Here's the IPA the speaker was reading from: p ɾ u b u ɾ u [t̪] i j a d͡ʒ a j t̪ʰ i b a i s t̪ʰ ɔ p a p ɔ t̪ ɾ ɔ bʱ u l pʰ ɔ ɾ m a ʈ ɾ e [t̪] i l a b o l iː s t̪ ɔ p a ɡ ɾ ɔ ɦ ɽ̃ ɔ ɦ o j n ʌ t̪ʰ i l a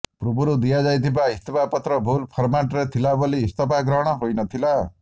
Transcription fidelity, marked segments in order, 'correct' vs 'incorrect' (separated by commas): incorrect, incorrect